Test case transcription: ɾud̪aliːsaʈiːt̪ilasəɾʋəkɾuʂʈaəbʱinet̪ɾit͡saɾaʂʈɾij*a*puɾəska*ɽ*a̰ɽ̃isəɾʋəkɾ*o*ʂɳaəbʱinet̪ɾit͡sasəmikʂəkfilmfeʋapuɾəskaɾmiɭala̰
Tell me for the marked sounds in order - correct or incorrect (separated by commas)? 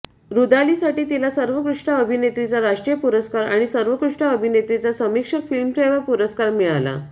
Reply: incorrect, incorrect, incorrect